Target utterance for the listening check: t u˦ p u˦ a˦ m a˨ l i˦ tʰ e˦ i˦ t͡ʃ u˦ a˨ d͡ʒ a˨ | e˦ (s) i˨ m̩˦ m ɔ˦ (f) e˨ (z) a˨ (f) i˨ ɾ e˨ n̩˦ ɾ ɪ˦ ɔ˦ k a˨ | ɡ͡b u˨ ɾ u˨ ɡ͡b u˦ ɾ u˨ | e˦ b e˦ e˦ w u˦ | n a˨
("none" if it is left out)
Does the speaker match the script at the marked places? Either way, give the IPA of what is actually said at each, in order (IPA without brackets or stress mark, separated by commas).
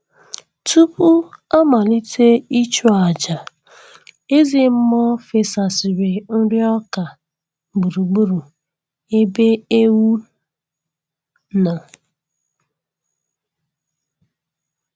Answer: z, f, s, s